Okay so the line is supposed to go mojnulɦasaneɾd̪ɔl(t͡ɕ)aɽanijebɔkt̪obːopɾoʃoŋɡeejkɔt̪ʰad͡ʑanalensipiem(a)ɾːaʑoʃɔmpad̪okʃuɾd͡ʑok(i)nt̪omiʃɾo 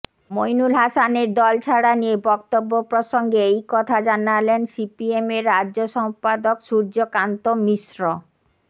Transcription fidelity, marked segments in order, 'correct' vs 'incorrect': incorrect, incorrect, incorrect

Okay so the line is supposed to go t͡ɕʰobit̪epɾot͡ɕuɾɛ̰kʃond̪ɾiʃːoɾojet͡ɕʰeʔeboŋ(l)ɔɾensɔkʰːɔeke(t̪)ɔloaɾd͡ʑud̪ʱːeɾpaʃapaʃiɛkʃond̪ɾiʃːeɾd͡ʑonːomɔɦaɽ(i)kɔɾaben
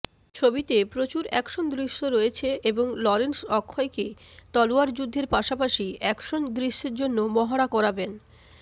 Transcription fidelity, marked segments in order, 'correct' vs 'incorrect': correct, correct, incorrect

